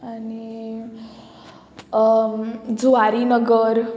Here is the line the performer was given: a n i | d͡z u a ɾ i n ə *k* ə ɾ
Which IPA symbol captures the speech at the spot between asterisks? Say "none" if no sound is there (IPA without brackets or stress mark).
ɡ